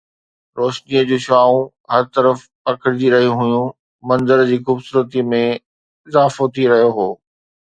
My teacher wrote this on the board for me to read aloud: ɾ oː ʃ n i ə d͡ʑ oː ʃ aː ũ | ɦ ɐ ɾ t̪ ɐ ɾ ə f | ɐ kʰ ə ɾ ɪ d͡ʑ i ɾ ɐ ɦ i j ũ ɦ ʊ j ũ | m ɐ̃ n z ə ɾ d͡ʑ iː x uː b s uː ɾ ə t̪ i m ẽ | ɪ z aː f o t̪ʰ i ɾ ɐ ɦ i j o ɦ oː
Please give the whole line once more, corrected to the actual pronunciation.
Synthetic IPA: ɾ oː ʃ n i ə d͡ʑ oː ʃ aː ũ | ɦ ɐ ɾ t̪ ɐ ɾ ə f | ɐ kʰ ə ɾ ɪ d͡ʑ i ɾ ɐ ɦ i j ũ ɦ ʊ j ũ | m ɐ̃ n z ə ɾ d͡ʑ iː x uː b s uː ɾ ə t̪ i m ẽ | ɪ z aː f o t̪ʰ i ɾ ɐ ɦ i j o ɦ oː